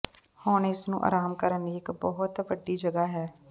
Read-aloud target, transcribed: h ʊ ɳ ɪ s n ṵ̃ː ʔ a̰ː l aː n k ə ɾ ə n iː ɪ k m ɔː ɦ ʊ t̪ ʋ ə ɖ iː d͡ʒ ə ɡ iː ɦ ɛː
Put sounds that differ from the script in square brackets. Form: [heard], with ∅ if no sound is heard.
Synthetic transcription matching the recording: h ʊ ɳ ɪ s n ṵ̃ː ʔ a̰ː [ɾ] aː [m] k ə ɾ ə n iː ɪ k [b] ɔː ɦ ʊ t̪ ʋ ə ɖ iː d͡ʒ ə ɡ [aː] ɦ ɛː